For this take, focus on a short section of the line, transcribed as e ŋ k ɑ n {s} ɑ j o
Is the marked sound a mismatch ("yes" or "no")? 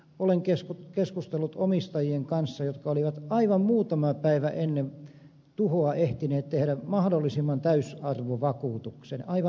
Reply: yes